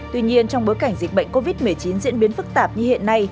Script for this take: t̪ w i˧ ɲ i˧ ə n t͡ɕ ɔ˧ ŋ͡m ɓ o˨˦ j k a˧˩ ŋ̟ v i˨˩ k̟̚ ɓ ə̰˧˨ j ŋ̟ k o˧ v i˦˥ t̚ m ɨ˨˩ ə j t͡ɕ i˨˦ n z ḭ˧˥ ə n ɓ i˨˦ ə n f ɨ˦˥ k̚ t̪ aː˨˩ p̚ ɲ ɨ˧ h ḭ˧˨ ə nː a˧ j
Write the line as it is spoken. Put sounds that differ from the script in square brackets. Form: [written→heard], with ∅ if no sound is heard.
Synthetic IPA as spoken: t̪ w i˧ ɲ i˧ ə n t͡ɕ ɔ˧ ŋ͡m ɓ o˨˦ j k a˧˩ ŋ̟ [v→z] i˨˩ k̟̚ ɓ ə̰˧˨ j ŋ̟ k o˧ v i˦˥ t̚ m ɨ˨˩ ə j t͡ɕ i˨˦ n z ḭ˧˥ ə n ɓ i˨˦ ə n f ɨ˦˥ k̚ t̪ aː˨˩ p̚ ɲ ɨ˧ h ḭ˧˨ ə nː a˧ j